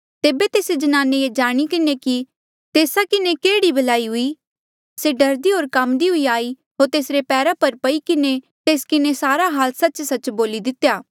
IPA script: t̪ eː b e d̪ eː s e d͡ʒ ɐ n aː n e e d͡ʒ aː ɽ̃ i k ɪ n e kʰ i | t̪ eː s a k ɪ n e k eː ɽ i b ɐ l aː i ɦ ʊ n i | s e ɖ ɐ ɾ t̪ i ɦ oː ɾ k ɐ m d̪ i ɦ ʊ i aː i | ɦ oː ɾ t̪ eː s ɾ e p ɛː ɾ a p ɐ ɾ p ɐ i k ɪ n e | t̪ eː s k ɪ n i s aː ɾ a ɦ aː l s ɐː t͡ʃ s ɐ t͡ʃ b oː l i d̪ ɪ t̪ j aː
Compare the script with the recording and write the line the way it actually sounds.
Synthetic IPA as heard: t̪ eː b e t̪ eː s e d͡ʒ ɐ n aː n e e d͡ʒ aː ɽ̃ i k ɪ n e k i | t̪ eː s a k ɪ n e k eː ɽ i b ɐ l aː i ɦ ʊ i | s e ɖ ɐ ɾ d̪ i ɦ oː ɾ k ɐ m d̪ i ɦ ʊ i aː i | ɦ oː ɾ t̪ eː s ɾ e p ɛː ɾ a p ɐ ɾ p ɐ i k ɪ n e | t̪ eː s k ɪ n e s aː ɾ a ɦ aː l s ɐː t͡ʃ s ɐ t͡ʃ b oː l i d̪ ɪ t̪ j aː